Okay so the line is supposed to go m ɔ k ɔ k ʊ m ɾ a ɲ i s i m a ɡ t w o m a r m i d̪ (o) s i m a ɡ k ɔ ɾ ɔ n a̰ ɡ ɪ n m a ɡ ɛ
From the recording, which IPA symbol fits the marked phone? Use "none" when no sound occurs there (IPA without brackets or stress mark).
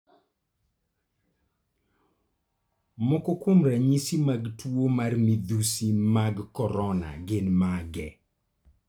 u